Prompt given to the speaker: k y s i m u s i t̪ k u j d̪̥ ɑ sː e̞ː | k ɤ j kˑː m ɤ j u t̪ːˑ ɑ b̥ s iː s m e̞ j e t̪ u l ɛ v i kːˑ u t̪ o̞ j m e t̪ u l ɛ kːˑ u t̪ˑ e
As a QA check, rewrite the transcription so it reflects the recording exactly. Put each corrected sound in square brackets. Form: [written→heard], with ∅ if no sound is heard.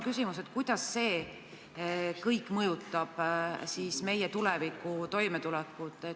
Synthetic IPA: k y s i m u s [i→e] t̪ k u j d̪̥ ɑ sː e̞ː | k ɤ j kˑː m ɤ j u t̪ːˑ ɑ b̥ s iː s m e̞ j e t̪ u l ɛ v i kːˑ u t̪ o̞ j m e t̪ u l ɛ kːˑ u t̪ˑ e